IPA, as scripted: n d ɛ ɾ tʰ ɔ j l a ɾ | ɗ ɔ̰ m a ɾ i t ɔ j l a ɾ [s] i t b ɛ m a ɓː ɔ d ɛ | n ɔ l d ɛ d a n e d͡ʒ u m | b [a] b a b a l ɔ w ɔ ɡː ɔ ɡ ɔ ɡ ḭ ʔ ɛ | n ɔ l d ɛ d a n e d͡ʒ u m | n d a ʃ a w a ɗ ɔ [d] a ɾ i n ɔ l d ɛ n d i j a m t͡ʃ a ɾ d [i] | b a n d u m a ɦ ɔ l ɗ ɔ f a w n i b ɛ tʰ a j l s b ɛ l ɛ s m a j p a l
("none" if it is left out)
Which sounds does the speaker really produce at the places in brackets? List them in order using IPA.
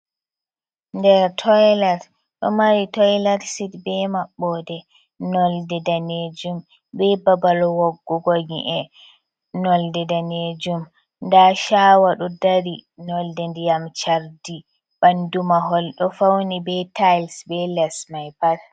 s, ɛ, d, i

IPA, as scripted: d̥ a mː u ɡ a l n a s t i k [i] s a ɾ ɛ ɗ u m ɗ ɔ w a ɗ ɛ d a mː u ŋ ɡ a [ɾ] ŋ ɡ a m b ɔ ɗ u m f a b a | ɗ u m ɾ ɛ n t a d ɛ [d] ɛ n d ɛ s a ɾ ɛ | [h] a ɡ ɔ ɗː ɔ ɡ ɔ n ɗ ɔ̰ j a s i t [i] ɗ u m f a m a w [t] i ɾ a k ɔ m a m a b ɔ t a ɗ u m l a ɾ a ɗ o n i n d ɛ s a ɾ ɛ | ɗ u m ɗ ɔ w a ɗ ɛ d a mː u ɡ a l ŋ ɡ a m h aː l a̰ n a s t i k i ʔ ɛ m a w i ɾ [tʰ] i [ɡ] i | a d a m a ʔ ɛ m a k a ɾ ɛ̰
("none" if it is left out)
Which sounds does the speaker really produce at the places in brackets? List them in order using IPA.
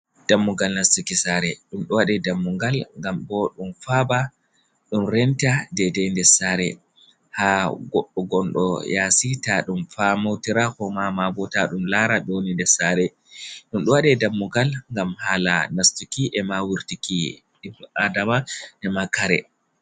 i, l, d, h, a, t, t, k

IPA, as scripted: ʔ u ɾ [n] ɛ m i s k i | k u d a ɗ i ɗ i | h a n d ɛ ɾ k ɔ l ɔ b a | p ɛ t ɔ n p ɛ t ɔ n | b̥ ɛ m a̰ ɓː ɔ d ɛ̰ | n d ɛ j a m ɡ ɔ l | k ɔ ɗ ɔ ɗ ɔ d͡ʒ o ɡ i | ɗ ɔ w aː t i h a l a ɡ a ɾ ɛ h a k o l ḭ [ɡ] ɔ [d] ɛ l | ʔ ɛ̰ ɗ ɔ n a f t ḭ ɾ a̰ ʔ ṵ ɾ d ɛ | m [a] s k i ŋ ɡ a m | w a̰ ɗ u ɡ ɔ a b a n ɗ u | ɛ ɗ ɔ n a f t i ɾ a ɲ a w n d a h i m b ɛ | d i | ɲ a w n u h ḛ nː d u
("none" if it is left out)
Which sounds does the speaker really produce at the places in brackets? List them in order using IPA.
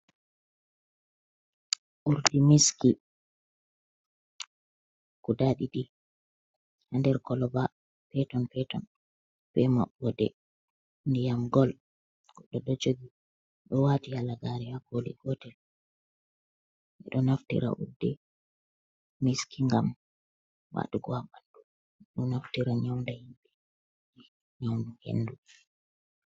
d, ɡ, t, i

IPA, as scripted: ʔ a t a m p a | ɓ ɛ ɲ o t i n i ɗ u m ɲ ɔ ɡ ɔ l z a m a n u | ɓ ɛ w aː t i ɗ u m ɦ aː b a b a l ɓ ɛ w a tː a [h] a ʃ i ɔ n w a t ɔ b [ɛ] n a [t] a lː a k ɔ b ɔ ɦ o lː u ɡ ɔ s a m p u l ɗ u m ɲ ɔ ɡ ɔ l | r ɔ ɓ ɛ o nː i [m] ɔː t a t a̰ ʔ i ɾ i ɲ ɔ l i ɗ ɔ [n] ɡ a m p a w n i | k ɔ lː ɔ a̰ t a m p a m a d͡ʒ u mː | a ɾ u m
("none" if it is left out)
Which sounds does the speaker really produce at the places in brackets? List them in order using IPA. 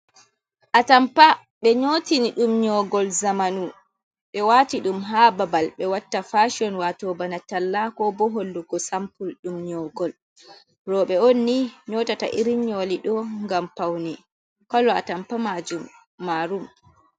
f, a, t, ɲ, ŋ

